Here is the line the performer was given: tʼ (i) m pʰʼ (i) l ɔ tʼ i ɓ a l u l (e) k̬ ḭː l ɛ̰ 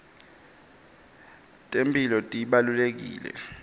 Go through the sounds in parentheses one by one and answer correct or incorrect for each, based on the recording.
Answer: incorrect: e, correct, correct

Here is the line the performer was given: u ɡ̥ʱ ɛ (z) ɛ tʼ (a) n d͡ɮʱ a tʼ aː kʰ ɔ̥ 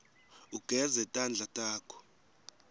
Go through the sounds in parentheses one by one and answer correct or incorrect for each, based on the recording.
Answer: correct, correct

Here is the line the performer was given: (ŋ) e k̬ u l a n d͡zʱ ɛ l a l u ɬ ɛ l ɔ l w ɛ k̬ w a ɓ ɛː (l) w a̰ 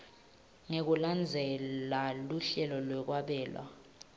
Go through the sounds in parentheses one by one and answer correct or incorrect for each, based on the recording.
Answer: correct, correct

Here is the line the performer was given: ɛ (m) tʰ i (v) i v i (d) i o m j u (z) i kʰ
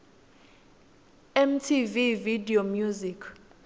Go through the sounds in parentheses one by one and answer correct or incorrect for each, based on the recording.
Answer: correct, correct, correct, correct

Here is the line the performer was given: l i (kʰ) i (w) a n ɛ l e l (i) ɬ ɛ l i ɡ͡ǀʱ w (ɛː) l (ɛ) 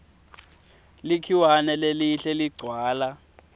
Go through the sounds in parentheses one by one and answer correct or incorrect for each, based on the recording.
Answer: correct, correct, correct, incorrect: aː, incorrect: a

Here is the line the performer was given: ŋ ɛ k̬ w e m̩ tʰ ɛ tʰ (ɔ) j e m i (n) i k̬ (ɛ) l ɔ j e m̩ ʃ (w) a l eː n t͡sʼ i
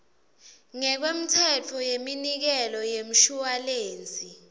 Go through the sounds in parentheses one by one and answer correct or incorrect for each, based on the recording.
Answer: correct, correct, correct, incorrect: u

